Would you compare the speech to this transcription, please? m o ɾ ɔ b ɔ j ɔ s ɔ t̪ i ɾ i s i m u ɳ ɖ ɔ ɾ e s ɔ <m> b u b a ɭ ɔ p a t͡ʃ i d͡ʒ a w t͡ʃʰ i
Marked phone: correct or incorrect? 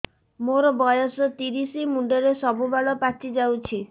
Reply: incorrect